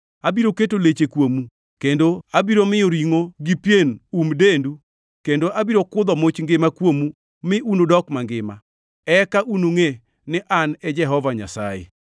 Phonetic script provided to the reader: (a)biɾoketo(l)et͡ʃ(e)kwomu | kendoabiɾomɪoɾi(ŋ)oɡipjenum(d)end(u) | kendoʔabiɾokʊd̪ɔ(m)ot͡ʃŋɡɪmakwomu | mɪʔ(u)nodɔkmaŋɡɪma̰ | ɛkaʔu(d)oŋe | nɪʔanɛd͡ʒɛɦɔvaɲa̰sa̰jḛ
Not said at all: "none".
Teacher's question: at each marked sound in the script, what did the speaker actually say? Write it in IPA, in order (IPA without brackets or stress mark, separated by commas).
a, l, e, ŋ, d, u, m, u, n